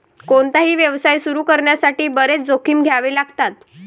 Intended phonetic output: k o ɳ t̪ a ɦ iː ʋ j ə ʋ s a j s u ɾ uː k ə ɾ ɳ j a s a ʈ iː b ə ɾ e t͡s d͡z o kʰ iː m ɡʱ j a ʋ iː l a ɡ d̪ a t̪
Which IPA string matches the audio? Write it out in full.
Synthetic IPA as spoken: k o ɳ t̪ a ɦ iː ʋ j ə ʋ s a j s u ɾ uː k ə ɾ ɳ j a s a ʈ iː b ə ɾ e t͡s d͡z o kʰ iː m ɡʱ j a ʋ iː l a ɡ t̪ a t̪